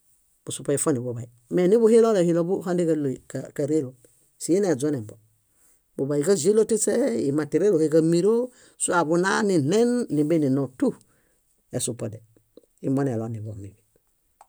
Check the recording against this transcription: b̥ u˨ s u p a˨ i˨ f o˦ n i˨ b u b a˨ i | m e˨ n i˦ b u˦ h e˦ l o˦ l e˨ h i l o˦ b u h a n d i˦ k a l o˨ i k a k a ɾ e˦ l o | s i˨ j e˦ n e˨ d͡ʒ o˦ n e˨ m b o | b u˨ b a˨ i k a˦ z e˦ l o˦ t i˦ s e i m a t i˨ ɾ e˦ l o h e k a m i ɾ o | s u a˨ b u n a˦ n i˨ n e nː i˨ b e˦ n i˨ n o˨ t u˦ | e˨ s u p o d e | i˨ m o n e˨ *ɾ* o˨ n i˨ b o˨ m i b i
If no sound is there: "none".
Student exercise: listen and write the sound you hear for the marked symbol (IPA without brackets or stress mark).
l